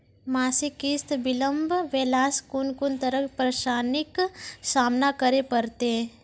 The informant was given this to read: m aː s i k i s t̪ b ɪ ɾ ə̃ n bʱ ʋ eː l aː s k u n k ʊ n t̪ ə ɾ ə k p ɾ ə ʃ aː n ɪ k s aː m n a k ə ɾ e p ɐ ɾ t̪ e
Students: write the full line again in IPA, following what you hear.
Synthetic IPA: m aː s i k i s t̪ b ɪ l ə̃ m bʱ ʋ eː l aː s k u n k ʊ n t̪ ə ɾ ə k p ɾ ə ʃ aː n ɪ k s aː m n a k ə ɾ e p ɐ ɾ t̪ e